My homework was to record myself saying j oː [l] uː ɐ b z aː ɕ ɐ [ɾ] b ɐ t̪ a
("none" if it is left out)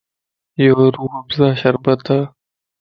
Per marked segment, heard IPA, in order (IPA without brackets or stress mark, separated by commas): ɾ, ɾ